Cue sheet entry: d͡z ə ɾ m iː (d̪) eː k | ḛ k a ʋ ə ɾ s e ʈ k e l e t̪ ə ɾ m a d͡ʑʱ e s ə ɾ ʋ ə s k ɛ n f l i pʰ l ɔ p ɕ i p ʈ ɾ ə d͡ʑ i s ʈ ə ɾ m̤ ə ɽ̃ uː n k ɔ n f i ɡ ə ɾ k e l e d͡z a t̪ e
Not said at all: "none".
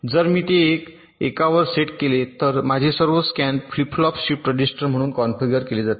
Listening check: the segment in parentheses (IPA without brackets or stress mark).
t̪